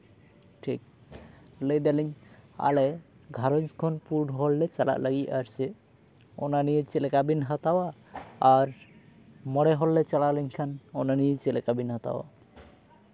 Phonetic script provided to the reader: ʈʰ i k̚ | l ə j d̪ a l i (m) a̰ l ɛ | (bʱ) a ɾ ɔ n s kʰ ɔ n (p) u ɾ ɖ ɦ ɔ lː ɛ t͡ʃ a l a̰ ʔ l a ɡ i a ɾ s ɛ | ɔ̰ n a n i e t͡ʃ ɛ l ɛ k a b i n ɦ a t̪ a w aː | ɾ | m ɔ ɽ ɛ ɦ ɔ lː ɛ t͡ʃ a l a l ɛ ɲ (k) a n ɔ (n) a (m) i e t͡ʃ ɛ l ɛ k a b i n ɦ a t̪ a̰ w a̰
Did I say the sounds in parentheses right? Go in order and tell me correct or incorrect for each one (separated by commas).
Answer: incorrect, incorrect, correct, incorrect, correct, incorrect